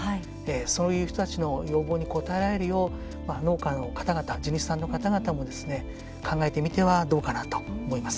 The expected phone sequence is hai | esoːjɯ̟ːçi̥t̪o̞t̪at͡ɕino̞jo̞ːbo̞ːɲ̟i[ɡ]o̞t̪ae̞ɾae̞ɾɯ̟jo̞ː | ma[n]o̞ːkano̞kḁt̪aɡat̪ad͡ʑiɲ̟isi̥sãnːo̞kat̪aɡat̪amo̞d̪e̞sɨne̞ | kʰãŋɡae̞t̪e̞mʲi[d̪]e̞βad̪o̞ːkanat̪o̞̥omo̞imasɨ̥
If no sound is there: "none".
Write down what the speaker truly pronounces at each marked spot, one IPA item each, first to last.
k, n, t̪

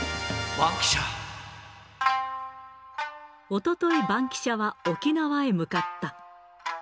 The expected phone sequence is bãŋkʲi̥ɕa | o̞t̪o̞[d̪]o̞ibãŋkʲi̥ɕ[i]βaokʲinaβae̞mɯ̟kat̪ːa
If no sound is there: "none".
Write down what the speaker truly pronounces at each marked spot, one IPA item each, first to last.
t̪, a

